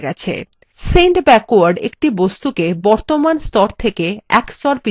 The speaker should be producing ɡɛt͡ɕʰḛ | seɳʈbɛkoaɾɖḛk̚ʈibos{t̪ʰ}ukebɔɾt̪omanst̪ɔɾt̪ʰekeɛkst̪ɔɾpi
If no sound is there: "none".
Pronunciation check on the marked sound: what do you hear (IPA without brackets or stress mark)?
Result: t̪